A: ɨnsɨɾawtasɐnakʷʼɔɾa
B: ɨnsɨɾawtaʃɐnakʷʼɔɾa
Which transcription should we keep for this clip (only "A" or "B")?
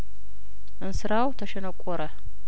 B